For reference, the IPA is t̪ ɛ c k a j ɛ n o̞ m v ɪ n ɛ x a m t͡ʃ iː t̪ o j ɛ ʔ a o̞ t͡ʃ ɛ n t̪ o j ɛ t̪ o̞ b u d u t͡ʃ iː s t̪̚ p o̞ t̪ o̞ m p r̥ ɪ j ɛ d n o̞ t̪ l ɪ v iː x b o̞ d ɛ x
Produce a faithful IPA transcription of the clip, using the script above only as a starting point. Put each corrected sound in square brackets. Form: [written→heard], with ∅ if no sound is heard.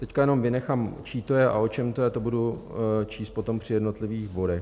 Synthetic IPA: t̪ ɛ c k a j ɛ n o̞ m v ɪ n ɛ x a m t͡ʃ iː t̪ o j ɛ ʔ a o̞ t͡ʃ ɛ [n→m] t̪ o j ɛ t̪ o̞ b u d u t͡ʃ iː s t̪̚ p o̞ t̪ o̞ m p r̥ ɪ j ɛ d n o̞ t̪ l ɪ v iː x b o̞ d ɛ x